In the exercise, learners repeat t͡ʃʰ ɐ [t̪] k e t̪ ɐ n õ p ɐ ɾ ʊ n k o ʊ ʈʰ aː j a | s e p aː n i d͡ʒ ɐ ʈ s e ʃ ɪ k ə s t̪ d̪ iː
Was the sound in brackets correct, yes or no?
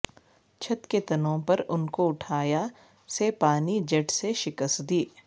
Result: yes